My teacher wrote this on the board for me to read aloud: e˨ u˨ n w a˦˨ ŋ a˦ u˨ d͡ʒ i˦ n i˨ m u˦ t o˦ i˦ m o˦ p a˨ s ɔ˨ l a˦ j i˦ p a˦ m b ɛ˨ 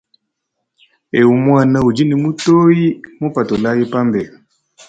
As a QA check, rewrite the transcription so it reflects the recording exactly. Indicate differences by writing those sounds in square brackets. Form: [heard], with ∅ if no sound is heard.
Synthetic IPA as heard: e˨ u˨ [m] w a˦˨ [n] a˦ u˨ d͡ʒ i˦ n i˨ m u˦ t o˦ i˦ m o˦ p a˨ [t] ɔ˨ l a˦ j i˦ p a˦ m b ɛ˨

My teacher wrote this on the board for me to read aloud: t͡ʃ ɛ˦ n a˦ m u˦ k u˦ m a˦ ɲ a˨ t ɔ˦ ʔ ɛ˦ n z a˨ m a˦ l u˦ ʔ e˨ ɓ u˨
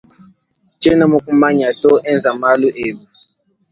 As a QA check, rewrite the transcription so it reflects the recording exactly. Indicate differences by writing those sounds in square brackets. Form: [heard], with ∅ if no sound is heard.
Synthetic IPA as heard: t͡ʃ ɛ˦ n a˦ m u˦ k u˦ m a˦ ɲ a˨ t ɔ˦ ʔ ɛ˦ n z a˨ m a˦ l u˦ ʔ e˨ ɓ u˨

